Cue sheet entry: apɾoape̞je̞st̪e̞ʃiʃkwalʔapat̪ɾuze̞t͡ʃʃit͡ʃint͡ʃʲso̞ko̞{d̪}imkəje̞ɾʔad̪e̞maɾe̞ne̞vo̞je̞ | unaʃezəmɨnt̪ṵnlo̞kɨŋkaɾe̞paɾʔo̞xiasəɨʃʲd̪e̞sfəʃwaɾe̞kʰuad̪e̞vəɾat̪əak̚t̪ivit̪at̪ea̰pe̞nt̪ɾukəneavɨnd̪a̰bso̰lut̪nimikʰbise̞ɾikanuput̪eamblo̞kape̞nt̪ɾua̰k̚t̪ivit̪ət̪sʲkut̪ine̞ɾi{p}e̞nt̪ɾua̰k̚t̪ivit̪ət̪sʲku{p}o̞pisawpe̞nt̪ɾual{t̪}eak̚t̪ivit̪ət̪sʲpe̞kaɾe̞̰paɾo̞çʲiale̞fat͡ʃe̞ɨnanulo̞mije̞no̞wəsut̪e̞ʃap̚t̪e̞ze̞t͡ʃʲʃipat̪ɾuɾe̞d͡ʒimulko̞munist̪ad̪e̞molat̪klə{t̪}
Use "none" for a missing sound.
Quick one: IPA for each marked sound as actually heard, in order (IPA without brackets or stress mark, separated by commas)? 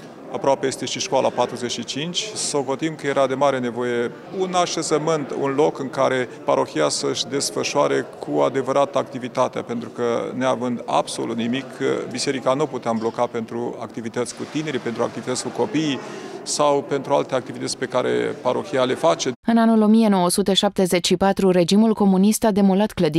t̪, p, k, t̪, d̪